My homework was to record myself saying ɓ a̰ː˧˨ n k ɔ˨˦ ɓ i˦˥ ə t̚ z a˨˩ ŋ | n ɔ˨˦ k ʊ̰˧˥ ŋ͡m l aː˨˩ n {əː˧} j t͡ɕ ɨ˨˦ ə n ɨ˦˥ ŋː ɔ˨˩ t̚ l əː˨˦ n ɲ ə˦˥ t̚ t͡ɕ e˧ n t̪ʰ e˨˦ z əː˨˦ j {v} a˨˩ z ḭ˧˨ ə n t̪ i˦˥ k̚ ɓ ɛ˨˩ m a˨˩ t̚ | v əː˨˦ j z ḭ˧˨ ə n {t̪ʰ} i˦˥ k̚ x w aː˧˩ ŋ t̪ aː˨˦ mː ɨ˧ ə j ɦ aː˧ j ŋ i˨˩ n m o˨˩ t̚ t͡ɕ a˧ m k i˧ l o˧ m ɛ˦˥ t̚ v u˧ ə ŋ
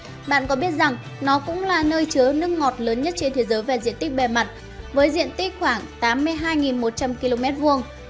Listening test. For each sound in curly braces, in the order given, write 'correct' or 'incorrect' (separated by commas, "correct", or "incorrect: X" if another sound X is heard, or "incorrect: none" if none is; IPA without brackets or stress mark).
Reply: correct, correct, incorrect: t̪